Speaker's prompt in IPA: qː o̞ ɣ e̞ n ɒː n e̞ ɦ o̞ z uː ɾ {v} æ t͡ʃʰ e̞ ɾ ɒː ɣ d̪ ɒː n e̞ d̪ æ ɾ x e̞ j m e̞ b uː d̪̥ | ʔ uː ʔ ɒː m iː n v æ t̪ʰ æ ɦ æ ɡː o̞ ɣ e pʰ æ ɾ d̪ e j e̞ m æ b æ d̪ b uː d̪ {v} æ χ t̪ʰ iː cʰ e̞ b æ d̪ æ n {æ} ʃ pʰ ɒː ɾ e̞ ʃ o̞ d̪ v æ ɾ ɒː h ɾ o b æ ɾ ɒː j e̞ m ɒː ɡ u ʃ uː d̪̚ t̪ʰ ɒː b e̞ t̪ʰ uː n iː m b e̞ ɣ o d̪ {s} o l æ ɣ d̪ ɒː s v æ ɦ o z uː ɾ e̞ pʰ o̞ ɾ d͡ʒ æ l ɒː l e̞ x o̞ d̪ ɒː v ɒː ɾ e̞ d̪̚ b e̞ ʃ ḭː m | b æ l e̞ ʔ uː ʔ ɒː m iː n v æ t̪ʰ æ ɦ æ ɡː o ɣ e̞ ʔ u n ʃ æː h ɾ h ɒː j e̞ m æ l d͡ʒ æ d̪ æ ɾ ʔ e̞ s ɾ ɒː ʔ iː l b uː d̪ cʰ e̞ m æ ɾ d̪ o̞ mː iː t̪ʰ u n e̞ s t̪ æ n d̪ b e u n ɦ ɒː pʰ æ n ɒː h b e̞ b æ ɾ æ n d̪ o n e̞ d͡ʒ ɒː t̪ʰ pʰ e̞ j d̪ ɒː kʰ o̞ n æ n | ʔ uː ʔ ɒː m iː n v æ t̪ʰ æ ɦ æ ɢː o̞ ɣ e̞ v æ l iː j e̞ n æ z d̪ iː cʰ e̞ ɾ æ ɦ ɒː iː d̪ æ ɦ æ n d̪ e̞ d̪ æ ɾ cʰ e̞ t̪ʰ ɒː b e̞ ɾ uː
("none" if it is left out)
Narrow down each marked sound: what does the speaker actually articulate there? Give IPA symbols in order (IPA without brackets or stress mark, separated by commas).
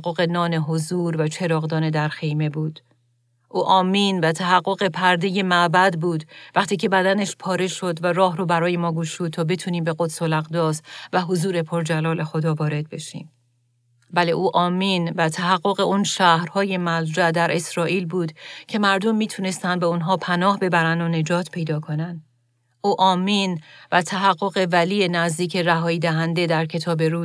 v, v, e, s